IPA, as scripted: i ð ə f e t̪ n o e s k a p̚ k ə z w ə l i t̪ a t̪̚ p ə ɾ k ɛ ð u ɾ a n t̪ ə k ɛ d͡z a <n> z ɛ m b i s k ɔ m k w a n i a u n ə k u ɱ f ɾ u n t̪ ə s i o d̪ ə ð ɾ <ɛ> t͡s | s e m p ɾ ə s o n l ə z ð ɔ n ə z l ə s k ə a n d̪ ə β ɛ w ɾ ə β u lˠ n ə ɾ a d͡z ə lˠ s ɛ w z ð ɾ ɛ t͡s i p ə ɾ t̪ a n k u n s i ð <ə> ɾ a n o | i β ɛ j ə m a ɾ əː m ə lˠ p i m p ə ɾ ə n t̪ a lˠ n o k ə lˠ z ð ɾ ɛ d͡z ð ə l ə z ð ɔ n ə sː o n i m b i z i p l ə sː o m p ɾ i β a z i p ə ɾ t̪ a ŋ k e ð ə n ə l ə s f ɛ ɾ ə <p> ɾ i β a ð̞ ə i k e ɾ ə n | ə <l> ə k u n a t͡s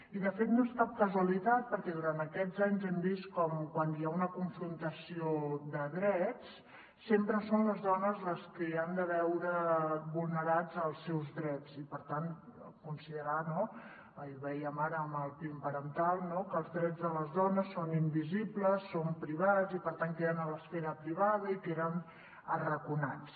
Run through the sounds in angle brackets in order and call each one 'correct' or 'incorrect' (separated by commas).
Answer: incorrect, correct, correct, correct, incorrect